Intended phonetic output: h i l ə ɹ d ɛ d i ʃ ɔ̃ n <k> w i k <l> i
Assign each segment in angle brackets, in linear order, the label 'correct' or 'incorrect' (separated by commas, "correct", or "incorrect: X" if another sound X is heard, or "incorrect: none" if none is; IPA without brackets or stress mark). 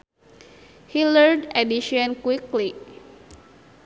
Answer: correct, correct